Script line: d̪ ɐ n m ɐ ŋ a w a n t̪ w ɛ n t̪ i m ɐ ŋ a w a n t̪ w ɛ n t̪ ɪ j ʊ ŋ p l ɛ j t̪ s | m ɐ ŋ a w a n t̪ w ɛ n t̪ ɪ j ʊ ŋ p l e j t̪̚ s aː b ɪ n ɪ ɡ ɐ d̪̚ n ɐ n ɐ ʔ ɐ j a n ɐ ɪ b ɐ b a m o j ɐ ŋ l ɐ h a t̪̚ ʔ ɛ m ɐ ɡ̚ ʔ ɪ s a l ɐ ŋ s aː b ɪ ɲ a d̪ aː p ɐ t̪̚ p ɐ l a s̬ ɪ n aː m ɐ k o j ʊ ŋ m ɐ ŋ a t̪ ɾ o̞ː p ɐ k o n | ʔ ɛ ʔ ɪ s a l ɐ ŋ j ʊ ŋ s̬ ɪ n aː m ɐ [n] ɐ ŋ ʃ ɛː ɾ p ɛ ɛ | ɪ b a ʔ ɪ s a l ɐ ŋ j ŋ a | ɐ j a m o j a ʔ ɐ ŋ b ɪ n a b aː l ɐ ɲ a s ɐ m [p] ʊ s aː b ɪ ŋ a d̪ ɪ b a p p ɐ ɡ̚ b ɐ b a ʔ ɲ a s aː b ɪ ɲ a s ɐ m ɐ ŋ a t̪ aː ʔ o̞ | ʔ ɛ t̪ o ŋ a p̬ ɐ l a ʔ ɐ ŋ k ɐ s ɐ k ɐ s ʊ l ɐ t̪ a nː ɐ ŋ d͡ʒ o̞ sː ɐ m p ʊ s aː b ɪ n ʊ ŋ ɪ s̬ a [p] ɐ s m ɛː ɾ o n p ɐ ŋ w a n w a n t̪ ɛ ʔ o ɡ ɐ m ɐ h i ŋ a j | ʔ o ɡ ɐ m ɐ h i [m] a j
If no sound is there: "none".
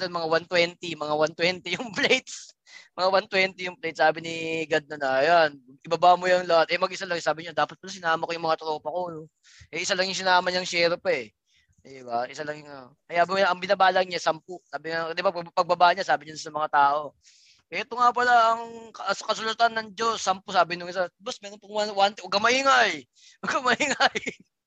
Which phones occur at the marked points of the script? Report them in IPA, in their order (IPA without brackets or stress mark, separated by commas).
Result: ɲ, p, b, ŋ